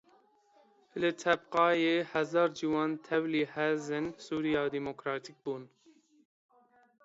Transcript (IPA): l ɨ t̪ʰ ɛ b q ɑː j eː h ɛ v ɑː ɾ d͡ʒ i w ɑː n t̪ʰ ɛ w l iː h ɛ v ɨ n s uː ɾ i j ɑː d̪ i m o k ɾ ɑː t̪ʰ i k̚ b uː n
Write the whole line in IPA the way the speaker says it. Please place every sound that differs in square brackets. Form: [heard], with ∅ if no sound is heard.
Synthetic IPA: l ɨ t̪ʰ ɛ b q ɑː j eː h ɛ [z] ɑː ɾ d͡ʒ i w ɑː n t̪ʰ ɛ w l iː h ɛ [z] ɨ n s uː ɾ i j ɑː d̪ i m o k ɾ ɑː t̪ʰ i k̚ b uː n

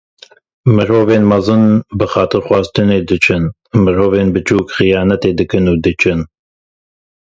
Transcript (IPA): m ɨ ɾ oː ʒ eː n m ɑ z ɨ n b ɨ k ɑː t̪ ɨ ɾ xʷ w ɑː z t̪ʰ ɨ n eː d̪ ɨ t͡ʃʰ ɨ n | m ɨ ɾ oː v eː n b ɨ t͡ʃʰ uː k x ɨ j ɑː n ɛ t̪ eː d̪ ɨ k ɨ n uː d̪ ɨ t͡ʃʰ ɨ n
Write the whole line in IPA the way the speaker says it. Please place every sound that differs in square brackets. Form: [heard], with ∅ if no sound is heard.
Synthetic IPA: m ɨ ɾ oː [v] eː n m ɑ z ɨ n b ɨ [x] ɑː t̪ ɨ ɾ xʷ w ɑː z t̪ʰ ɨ n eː d̪ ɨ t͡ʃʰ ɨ n | m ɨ ɾ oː v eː n b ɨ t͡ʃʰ uː k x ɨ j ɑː n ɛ t̪ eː d̪ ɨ k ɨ n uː d̪ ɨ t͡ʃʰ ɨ n

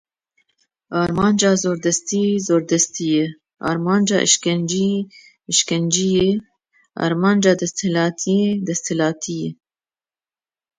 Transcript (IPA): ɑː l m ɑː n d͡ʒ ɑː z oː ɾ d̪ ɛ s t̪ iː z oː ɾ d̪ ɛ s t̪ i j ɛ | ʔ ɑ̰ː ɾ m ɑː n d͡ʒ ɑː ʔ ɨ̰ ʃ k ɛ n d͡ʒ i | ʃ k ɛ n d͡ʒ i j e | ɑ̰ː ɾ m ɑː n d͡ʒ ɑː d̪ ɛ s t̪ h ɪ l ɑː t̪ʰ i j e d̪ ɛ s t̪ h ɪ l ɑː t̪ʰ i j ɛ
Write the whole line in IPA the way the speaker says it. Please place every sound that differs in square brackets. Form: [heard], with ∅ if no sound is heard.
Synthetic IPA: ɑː [ɾ] m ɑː n d͡ʒ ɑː z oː ɾ d̪ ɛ s t̪ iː z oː ɾ d̪ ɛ s t̪ i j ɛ | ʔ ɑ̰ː ɾ m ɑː n d͡ʒ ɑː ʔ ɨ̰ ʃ k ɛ n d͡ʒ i | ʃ k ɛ n d͡ʒ i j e | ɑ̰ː ɾ m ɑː n d͡ʒ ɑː d̪ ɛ s t̪ h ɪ l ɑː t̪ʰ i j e d̪ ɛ s t̪ h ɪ l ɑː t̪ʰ i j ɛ

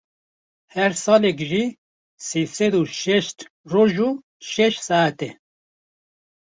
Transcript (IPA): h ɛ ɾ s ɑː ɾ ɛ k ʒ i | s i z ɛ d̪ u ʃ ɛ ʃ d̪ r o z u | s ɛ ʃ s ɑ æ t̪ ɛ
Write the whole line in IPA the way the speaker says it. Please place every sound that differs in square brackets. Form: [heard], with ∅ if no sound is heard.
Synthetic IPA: h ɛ ɾ s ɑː [l] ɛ k ʒ i | s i [s] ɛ d̪ u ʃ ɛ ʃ [t̪] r o [ʒ] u | [ʃ] ɛ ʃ s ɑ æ t̪ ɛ

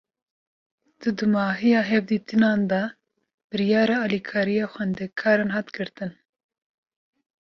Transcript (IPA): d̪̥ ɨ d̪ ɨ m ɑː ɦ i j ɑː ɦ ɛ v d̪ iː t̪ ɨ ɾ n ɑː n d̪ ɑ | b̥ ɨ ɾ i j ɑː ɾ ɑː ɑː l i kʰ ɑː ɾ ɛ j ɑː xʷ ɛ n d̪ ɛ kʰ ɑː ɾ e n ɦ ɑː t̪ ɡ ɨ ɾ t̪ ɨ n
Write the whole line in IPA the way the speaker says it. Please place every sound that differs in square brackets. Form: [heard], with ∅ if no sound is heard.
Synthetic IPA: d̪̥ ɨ d̪ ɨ m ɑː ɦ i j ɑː ɦ ɛ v d̪ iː t̪ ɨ [∅] n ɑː n d̪ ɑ | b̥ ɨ ɾ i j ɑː ɾ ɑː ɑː l i kʰ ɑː ɾ [i] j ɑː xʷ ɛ n d̪ ɛ kʰ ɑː ɾ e n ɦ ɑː t̪ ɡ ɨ ɾ t̪ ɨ n

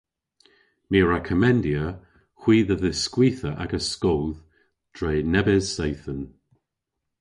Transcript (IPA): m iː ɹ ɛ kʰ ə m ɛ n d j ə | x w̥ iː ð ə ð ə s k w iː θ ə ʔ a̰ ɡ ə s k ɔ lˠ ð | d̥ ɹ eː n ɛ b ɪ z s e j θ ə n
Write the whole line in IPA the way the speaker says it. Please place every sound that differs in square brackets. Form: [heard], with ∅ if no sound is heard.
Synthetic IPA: m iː ɹ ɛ kʰ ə m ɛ n d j ə | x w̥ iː ð ə ð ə s k w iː θ ə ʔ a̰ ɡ ə s k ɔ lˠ ð | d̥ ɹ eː n ɛ b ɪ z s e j θ ə n

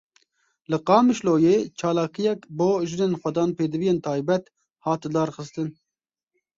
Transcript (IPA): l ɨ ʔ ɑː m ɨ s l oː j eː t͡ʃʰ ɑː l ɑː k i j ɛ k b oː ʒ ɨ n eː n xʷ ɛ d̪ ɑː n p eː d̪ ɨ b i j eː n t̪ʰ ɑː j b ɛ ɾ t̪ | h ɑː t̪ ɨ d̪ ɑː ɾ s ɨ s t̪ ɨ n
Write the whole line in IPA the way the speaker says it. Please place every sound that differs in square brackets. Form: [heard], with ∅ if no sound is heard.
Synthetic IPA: l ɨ [q] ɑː m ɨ [ʃ] l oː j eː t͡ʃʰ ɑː l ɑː k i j ɛ k b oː ʒ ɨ n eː n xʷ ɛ d̪ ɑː n p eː d̪ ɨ [v] i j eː n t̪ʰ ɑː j b ɛ [∅] t̪ | h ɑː t̪ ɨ d̪ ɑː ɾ [x] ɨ s t̪ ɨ n

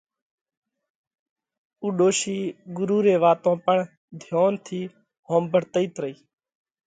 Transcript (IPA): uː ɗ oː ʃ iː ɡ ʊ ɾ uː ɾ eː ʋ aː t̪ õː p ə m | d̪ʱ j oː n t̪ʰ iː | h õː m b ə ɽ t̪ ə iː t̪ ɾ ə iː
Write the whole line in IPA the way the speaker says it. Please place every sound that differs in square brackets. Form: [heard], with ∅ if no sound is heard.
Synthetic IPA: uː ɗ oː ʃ iː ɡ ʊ ɾ uː ɾ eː ʋ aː t̪ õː p ə [ɳ] | d̪ʱ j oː n t̪ʰ iː | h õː m b ə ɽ t̪ ə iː t̪ ɾ ə iː

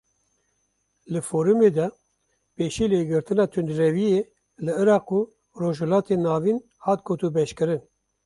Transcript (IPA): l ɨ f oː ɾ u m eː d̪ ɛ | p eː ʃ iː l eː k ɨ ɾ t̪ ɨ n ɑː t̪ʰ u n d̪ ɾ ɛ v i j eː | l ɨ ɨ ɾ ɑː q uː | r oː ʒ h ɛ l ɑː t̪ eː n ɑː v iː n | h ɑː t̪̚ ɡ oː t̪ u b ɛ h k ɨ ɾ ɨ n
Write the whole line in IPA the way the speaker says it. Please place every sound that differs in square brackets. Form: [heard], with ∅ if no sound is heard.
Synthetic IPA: l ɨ f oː ɾ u m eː d̪ ɛ | p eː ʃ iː l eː [ɡ] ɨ ɾ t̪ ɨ n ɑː t̪ʰ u n d̪ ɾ ɛ v i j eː | l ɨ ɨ ɾ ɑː q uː | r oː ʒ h ɛ l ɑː t̪ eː n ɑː v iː n | h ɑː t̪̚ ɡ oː t̪ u b ɛ [ʃ] k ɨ ɾ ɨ n

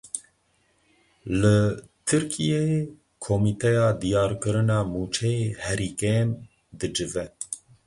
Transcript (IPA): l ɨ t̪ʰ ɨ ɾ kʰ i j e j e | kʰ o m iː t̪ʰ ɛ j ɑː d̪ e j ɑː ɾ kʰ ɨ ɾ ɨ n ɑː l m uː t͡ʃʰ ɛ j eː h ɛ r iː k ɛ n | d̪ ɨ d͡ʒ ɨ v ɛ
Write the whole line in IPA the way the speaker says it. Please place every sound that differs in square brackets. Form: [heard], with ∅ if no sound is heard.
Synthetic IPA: l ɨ t̪ʰ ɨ ɾ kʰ i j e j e | kʰ o m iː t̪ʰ ɛ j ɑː d̪ [i] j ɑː ɾ [k] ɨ ɾ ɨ n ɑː [∅] m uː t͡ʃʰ ɛ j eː h ɛ [ɾ] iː k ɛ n | d̪ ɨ d͡ʒ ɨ v ɛ

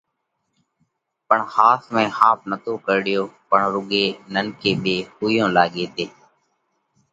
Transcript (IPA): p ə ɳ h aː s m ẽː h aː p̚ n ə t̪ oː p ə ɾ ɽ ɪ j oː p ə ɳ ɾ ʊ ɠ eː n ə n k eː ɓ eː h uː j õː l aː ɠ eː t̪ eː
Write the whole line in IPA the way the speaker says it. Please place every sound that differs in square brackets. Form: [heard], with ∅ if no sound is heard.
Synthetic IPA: p ə ɳ h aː s m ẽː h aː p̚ n ə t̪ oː [k] ə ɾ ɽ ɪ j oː p ə ɳ ɾ ʊ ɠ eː n ə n k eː ɓ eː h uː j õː l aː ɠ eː t̪ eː

